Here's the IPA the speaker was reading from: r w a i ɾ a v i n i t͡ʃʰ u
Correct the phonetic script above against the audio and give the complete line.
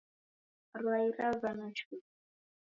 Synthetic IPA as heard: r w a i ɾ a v a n a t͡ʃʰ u